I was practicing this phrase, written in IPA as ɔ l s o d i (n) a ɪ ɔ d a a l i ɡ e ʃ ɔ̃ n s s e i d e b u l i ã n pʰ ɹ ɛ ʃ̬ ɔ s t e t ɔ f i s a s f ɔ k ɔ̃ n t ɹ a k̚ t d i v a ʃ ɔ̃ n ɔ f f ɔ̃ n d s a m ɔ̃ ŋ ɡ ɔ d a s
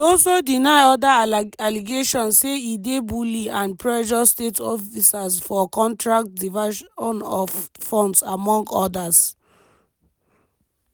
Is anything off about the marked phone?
no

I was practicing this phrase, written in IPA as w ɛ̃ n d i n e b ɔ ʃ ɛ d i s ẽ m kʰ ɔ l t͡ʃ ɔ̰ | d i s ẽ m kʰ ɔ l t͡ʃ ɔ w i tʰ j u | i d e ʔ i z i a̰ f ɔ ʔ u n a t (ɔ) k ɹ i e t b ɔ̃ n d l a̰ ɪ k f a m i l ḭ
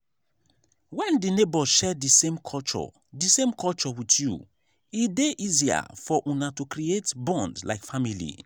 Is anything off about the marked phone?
yes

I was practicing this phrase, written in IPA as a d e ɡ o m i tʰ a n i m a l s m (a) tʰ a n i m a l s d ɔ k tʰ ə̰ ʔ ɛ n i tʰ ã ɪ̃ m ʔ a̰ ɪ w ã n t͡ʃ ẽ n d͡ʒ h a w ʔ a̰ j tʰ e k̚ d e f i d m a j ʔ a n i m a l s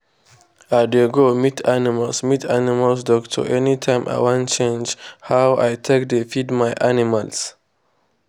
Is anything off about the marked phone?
yes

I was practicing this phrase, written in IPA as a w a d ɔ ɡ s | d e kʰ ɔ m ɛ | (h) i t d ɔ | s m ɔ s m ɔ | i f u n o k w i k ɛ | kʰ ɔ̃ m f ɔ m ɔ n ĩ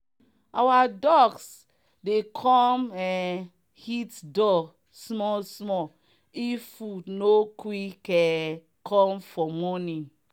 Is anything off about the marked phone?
no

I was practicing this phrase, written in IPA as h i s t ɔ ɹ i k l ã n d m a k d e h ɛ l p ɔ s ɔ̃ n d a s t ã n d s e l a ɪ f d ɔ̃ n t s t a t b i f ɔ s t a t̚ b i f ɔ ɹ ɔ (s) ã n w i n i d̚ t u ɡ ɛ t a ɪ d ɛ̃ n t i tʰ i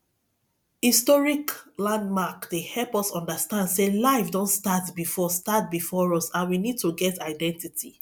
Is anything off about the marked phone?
no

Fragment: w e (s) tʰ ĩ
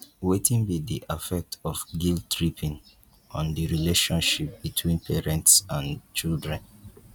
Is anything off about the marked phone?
yes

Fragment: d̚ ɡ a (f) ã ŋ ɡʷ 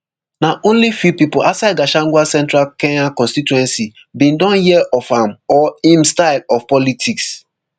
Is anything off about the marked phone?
yes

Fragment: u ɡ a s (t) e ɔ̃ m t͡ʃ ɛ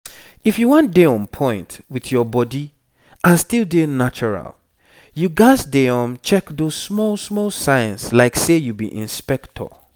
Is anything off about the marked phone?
yes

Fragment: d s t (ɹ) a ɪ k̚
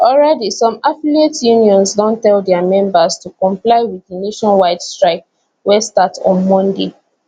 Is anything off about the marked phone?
no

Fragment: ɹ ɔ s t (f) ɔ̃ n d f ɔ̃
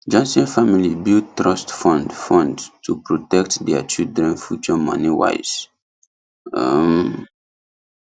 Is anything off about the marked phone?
no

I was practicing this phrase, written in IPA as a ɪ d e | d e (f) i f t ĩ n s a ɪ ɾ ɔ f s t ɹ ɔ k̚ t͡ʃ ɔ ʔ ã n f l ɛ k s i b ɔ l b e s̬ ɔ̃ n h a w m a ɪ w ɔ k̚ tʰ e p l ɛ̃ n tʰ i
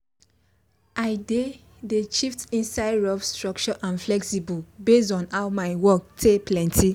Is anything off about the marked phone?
yes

